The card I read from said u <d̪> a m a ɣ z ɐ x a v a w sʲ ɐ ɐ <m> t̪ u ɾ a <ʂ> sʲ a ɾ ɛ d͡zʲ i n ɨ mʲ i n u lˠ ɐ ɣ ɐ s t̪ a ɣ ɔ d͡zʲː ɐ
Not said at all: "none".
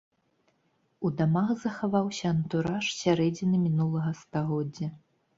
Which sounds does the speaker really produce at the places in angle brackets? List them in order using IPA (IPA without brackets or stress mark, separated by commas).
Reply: d̪, n, ʂ